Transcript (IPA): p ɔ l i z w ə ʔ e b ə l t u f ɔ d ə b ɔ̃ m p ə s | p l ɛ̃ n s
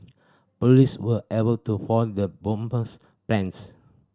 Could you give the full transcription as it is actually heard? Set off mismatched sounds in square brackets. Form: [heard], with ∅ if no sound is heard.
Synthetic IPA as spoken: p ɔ l i [s] w ə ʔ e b ə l t u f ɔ d ə b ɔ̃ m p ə s | p l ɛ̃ n s